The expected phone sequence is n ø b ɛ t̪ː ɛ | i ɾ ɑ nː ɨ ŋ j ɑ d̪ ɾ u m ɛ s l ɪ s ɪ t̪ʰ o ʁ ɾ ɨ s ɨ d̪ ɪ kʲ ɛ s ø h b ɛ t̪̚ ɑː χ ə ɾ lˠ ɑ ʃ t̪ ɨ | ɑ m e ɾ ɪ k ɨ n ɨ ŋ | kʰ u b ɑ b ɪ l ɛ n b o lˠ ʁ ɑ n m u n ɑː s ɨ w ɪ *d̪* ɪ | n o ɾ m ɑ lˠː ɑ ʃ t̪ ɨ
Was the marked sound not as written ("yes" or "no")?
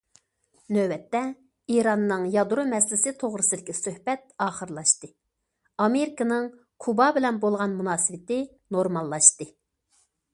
yes